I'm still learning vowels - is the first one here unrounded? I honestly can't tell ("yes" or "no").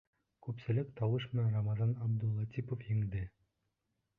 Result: no